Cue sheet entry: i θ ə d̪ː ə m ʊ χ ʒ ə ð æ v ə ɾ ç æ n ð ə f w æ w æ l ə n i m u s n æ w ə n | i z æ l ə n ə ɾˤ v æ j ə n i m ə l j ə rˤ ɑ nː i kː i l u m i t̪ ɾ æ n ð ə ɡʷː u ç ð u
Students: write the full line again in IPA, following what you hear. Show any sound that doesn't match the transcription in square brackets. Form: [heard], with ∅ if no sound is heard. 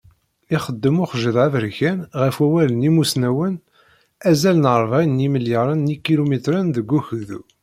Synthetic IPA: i [χ] ə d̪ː ə m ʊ χ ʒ ə ð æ v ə ɾ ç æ n [ʁ] ə f w æ w æ l ə n i m u s n æ w ə n | [æ] z æ l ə n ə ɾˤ v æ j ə n i m ə l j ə [ɾˤ] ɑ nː i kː i l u m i t̪ ɾ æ n ð ə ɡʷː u ç ð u